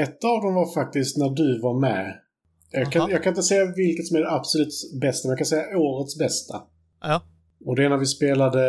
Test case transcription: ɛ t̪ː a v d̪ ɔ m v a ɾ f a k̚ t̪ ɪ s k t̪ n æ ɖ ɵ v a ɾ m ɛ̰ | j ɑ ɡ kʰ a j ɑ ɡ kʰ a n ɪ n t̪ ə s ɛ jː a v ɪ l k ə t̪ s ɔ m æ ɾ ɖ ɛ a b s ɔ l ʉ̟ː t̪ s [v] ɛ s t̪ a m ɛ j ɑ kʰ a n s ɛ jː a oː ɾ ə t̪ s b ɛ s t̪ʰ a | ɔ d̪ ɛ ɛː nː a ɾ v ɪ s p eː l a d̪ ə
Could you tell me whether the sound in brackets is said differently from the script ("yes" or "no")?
yes